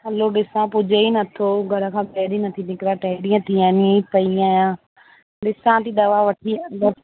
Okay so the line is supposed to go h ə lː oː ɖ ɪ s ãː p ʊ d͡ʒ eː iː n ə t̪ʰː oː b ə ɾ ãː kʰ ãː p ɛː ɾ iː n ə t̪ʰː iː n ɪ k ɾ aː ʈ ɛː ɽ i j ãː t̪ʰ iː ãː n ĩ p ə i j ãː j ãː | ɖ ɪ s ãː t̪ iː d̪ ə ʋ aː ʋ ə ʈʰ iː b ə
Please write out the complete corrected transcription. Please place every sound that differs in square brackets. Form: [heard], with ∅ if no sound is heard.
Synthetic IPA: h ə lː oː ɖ ɪ s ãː p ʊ d͡ʒ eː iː n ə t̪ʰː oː [ɡ] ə ɾ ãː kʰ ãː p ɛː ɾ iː n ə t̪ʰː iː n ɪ k ɾ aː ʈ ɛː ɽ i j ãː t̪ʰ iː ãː n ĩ p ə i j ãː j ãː | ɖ ɪ s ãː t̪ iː d̪ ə ʋ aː ʋ ə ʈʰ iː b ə

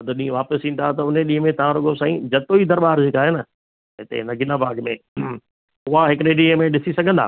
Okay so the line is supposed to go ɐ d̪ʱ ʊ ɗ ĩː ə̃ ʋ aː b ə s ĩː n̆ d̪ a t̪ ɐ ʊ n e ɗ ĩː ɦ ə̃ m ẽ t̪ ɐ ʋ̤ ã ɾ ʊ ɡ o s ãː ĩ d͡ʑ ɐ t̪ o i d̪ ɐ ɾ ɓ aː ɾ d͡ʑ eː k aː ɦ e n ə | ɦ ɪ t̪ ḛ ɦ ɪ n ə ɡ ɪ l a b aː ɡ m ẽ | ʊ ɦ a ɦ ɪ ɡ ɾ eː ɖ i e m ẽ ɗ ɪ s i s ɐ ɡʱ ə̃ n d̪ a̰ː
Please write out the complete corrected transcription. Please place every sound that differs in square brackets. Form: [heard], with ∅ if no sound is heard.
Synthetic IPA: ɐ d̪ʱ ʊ ɗ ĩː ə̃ ʋ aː [p] ə s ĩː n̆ d̪ a t̪ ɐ ʊ n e ɗ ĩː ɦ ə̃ m ẽ t̪ ɐ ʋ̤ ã ɾ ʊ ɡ o s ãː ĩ d͡ʑ ɐ t̪ o i d̪ ɐ ɾ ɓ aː ɾ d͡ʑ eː k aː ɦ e n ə | ɦ ɪ t̪ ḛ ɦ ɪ n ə ɡ ɪ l a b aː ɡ m ẽ | ʊ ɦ a ɦ ɪ [k] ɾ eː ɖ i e m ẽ ɗ ɪ s i s ɐ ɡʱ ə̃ n d̪ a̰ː

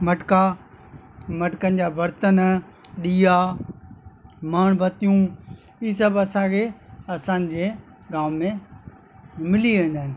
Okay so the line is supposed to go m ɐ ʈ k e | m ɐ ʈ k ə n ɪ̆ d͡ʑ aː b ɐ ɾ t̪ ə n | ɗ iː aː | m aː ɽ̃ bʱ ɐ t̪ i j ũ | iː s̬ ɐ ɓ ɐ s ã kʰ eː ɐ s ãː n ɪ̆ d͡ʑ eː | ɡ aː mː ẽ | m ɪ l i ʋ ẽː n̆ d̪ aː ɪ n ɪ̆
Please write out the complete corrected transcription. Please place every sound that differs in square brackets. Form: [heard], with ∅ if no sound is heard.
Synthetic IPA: m ɐ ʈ k [a] | m ɐ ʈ k ə n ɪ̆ d͡ʑ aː b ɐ ɾ t̪ ə n | ɗ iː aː | m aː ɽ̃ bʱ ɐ t̪ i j ũ | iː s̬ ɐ [b] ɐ s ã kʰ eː ɐ s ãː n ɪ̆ d͡ʑ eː | ɡ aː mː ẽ | m ɪ l i ʋ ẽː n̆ d̪ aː ɪ n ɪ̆

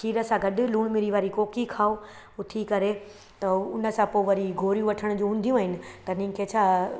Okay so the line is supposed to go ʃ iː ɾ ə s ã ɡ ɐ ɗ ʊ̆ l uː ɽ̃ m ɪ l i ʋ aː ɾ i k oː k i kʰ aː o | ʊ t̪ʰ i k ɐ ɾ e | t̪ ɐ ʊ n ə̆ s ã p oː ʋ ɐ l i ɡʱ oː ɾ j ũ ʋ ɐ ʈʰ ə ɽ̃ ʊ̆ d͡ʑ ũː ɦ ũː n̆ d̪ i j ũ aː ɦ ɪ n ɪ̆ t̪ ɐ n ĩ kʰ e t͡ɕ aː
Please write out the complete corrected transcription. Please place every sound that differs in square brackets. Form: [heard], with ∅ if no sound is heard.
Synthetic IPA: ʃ iː ɾ ə s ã ɡ ɐ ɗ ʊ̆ l uː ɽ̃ m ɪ [ɾ] i ʋ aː ɾ i k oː k i kʰ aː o | ʊ t̪ʰ i k ɐ ɾ e | t̪ ɐ ʊ n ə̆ s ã p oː ʋ ɐ [ɾ] i ɡʱ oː ɾ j ũ ʋ ɐ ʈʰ ə ɽ̃ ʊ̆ d͡ʑ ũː ɦ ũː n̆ d̪ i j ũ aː ɦ ɪ n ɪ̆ t̪ ɐ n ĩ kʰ e [t͡ɕʰ] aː

